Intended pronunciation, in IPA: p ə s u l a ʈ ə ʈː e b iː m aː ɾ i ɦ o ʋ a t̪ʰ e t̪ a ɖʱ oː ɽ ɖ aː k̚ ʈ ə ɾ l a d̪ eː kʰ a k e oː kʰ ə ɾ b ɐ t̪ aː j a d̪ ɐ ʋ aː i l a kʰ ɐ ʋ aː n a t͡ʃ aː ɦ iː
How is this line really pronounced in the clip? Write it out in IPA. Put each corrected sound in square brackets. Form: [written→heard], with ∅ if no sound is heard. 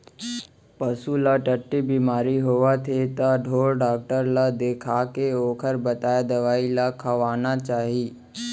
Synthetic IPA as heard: p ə s u l a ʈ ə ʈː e b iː m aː ɾ i ɦ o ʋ a t̪ʰ e t̪ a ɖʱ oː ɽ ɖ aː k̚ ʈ ə ɾ l a d̪ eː kʰ a k e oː kʰ ə ɾ b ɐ t̪ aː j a d̪ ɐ ʋ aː i l a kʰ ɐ ʋ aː n a t͡ʃ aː ɦ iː